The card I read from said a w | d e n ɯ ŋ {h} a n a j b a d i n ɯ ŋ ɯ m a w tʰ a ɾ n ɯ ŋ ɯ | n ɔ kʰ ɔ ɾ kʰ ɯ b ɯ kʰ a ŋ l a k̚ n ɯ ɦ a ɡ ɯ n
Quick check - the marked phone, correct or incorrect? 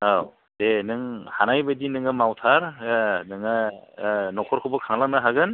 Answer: correct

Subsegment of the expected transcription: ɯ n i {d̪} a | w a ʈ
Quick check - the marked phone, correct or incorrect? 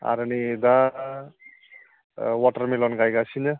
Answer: correct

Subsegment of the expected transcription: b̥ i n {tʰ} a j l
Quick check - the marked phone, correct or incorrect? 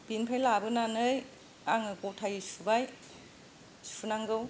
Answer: incorrect: pʰ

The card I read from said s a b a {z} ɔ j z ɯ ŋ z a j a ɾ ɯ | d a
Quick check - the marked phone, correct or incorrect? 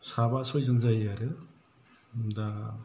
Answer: incorrect: s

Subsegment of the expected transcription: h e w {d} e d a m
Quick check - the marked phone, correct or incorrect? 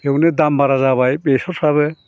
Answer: incorrect: n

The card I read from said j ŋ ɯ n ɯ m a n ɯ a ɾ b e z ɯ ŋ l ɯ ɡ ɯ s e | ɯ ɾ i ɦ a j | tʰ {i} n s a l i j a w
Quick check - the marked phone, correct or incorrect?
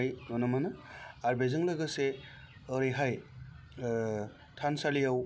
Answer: incorrect: a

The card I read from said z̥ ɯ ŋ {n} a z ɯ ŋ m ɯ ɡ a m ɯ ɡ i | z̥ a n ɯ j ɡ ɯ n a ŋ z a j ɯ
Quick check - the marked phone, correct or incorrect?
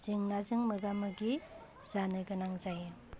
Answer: correct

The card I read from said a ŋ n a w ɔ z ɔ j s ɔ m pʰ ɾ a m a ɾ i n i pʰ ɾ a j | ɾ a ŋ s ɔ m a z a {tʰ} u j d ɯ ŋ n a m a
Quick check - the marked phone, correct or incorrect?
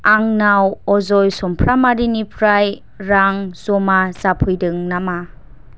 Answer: incorrect: pʰ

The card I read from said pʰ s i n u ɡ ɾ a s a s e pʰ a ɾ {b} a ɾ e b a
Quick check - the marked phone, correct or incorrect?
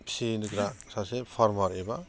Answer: incorrect: m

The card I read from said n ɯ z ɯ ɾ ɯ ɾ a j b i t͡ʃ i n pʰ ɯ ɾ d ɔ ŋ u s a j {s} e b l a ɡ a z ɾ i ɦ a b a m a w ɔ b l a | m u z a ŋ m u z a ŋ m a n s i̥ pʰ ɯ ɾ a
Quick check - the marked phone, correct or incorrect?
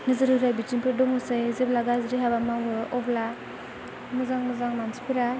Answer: incorrect: z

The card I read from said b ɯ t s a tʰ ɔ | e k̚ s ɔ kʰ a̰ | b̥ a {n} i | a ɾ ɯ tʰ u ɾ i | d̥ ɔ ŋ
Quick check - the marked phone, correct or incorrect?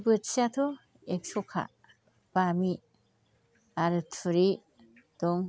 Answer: incorrect: m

